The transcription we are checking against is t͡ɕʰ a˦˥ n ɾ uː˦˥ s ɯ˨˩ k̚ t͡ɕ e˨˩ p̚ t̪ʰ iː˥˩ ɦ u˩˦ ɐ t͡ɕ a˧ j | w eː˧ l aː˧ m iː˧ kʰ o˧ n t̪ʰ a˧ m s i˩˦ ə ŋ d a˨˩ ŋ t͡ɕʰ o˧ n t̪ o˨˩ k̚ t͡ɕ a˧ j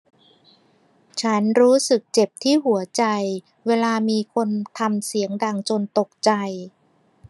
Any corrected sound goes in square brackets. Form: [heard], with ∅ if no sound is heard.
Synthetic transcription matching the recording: t͡ɕʰ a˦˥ n ɾ uː˦˥ s ɯ˨˩ k̚ t͡ɕ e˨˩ p̚ t̪ʰ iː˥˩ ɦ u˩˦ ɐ t͡ɕ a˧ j | w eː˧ l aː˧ m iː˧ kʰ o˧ n t̪ʰ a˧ m s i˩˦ ə ŋ d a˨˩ ŋ [t͡ɕ] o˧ n t̪ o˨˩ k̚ t͡ɕ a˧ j